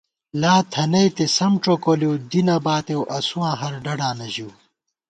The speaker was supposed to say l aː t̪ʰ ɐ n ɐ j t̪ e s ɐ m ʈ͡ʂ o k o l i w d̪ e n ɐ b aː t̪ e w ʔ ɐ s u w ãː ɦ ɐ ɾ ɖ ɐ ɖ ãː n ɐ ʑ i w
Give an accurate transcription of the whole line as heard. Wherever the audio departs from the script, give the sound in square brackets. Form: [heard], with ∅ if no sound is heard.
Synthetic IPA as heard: l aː t̪ʰ ɐ n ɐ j t̪ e s ɐ m ʈ͡ʂ o k o l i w d̪ [i] n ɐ b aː t̪ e w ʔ ɐ s u w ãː ɦ ɐ ɾ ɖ ɐ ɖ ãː n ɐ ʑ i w